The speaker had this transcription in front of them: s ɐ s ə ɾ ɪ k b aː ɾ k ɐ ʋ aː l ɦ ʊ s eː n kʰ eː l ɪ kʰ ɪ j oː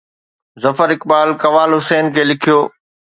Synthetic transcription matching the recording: z ɐ f ə ɾ ɪ k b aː l k ɐ ʋ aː l ɦ ʊ s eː n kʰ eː l ɪ kʰ i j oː